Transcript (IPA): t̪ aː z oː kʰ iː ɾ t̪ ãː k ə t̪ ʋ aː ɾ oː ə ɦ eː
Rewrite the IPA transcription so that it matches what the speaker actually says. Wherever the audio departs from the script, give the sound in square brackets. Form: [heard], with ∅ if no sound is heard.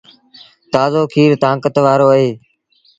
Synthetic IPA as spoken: t̪ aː z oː kʰ iː ɾ t̪ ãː k ə t̪ ʋ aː ɾ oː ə ɦ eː